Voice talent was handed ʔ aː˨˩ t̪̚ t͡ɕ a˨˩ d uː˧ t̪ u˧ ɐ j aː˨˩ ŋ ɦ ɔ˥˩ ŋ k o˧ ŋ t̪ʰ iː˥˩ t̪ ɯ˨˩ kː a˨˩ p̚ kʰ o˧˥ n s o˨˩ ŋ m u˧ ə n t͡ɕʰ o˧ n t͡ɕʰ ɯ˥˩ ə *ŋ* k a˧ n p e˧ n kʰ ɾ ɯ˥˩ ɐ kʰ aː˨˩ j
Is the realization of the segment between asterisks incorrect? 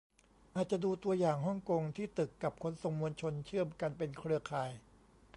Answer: yes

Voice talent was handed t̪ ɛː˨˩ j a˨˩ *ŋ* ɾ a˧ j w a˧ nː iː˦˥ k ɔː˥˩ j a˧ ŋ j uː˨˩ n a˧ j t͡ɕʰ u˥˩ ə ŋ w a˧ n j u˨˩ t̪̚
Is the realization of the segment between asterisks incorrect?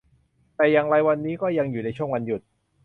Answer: no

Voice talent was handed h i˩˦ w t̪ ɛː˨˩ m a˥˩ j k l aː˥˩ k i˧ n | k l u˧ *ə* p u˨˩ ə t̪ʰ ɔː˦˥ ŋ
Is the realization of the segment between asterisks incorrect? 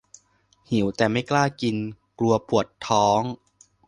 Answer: yes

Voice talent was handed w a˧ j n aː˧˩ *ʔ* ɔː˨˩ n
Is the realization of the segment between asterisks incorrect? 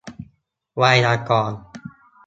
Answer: yes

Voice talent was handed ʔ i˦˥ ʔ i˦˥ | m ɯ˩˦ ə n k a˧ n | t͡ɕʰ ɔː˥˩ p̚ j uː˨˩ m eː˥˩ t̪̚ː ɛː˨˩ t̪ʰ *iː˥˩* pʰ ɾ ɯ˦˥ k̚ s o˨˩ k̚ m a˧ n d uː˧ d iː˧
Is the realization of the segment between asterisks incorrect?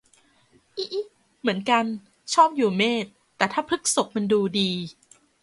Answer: yes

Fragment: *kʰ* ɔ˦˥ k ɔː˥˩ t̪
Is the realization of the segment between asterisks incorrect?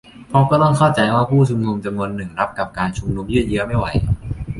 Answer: yes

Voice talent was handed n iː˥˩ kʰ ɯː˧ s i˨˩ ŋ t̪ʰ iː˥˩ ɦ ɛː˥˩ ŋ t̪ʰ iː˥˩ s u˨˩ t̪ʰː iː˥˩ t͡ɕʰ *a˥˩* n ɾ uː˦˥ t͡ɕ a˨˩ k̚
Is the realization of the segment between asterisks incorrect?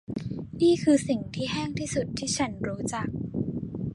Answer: yes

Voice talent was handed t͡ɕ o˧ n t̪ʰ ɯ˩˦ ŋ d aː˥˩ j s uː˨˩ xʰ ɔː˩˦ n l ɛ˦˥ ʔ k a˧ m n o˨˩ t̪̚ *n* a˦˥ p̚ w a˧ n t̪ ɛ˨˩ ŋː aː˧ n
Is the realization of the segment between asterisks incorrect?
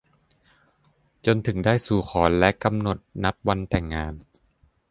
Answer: no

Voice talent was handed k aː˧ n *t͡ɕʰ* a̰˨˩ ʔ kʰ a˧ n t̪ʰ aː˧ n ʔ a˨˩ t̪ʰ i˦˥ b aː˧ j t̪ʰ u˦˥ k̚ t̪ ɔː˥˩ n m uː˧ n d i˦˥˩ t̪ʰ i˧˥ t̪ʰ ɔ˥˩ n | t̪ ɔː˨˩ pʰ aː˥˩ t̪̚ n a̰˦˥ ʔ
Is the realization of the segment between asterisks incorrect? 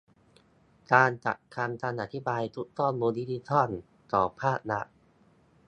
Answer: yes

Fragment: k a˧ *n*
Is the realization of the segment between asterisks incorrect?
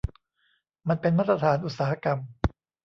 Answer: yes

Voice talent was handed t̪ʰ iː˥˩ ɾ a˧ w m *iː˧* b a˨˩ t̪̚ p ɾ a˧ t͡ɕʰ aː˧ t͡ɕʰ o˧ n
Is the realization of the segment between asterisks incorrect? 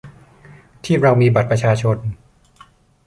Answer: no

